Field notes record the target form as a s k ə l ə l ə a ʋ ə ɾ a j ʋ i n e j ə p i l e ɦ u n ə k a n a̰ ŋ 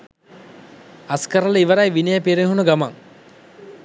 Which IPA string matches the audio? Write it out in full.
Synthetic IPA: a s k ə ɾ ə l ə i ʋ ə ɾ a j ʋ i n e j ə p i ɾ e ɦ u n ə ɡ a m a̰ ŋ